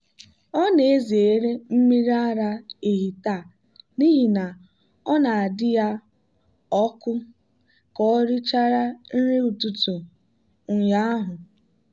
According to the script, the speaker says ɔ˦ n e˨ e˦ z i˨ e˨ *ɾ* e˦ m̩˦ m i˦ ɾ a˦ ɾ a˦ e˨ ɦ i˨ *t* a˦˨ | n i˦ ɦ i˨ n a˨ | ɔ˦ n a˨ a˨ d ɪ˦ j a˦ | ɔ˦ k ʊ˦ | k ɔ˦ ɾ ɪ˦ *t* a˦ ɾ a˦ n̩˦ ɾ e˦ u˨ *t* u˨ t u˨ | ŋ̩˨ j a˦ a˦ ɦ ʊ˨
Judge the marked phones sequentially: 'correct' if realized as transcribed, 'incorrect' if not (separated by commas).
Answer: correct, correct, incorrect, correct